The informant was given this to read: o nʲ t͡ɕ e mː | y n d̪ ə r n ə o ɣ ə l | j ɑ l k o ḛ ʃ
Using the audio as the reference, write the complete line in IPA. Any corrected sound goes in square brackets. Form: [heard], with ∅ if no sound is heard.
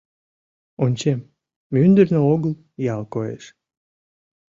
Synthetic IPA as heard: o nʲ t͡ɕ e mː | y n d̪ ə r n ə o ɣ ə l | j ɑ l k o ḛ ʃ